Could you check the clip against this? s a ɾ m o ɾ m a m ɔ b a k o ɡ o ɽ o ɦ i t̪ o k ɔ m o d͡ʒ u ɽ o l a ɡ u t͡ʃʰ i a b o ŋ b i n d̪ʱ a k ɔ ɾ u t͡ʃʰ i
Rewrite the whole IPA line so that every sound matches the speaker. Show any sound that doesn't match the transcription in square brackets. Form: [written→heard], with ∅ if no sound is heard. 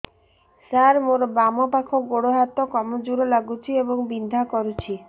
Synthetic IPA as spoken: s a ɾ m o ɾ [m→b] a m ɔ [b→p] a [k→kʰ] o ɡ o ɽ o ɦ [i→a] t̪ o k ɔ m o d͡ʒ u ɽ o l a ɡ u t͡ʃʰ i [a→e] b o ŋ b i n d̪ʱ a k ɔ ɾ u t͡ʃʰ i

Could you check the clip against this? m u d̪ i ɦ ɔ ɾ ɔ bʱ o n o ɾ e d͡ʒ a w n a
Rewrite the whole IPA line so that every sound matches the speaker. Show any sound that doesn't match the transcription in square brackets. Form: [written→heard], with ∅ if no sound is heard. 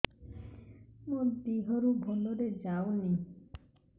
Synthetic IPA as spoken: m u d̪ i ɦ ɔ ɾ [ɔ→u] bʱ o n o ɾ e d͡ʒ a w n [a→i]

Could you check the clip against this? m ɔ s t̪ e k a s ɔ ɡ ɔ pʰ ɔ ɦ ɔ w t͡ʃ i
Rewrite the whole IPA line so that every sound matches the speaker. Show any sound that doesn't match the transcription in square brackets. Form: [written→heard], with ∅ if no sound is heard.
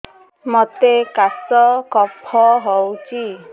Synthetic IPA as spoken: m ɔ [s→∅] t̪ e k a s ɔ [ɡ→k] ɔ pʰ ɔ ɦ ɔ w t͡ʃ i

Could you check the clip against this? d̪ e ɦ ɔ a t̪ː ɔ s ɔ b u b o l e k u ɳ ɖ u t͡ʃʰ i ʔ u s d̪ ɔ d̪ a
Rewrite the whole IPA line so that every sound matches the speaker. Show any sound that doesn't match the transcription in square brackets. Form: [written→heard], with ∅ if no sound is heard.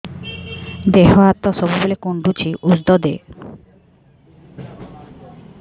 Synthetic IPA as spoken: d̪ e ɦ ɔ a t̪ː ɔ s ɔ b u b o l e k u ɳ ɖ u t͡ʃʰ i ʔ u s d̪ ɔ d̪ [a→e]

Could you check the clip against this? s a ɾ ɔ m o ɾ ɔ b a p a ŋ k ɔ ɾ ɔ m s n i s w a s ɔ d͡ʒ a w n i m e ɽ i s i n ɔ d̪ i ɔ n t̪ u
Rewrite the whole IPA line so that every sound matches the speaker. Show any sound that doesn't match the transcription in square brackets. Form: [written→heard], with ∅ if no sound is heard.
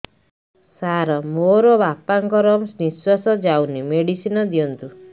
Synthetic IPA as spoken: s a ɾ ɔ m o ɾ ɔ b a p a ŋ k ɔ ɾ ɔ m s n i s w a s ɔ d͡ʒ a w n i m e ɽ i s i n ɔ d̪ i ɔ n t̪ u

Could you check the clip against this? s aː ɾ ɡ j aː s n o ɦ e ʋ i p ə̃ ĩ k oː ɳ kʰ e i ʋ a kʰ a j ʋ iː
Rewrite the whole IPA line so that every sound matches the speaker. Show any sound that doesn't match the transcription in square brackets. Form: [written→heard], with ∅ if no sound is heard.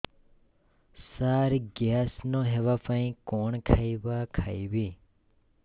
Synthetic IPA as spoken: s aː ɾ ɡ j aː s n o ɦ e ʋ [i→a] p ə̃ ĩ k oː ɳ kʰ [e→a] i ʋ a kʰ a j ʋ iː

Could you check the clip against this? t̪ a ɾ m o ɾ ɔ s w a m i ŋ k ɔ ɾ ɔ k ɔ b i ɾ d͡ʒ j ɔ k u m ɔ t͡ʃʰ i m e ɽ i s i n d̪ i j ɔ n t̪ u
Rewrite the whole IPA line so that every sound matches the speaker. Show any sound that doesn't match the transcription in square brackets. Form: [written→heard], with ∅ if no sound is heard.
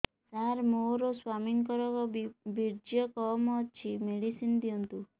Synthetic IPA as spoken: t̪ a ɾ m o ɾ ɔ s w a m i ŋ k ɔ ɾ ɔ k ɔ b i ɾ d͡ʒ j ɔ k [u→ɔ] m ɔ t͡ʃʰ i m e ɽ i s i n d̪ i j ɔ n t̪ u

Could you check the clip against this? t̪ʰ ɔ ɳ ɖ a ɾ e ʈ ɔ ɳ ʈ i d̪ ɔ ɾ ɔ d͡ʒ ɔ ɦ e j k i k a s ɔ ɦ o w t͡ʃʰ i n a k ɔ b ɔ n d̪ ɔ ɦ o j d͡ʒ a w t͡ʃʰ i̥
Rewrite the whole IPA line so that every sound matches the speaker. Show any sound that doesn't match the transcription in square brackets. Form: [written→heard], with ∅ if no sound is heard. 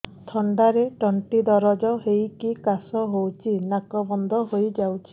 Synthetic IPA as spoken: t̪ʰ ɔ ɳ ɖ a ɾ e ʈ ɔ ɳ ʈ i d̪ ɔ ɾ ɔ d͡ʒ ɔ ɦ e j k i k a s ɔ ɦ o w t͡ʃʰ i n a k ɔ b ɔ n d̪ ɔ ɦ o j d͡ʒ a w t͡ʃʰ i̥

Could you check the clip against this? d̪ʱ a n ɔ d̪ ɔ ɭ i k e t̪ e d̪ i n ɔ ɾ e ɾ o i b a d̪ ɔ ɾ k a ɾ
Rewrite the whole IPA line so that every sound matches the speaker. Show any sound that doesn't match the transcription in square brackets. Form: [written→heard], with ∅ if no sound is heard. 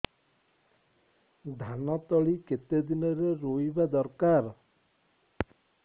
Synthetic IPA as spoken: d̪ʱ a n ɔ [d̪→t̪] ɔ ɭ i k e t̪ e d̪ i n ɔ ɾ e ɾ o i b a d̪ ɔ ɾ k a ɾ

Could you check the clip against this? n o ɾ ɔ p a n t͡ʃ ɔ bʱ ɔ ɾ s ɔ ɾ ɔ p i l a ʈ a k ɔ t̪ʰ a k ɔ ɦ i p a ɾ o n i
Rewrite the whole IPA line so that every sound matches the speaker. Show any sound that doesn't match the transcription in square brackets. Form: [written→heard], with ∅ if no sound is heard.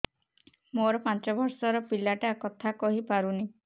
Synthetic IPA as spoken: [n→m] o ɾ ɔ p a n t͡ʃ ɔ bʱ ɔ ɾ s ɔ ɾ ɔ p i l a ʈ a k ɔ t̪ʰ a k ɔ ɦ i p a ɾ [o→u] n i

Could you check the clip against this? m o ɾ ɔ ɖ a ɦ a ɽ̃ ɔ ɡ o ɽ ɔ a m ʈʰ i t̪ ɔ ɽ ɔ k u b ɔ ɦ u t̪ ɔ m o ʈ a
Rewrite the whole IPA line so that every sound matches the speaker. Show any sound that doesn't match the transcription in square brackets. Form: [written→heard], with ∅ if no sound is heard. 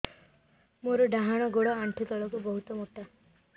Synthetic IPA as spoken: m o ɾ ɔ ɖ a ɦ a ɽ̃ ɔ ɡ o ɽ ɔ a [m→ɳ] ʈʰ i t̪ ɔ [ɽ→ɭ] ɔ k u b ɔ ɦ u t̪ ɔ m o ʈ a

